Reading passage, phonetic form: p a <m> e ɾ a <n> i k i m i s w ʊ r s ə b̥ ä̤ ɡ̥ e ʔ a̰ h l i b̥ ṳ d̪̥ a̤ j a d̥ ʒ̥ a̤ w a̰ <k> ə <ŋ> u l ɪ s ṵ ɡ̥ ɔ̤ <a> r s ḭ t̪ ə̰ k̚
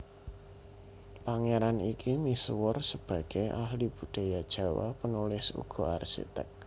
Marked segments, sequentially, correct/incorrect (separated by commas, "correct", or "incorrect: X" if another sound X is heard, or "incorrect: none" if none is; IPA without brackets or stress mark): incorrect: ŋ, correct, incorrect: p, incorrect: n, correct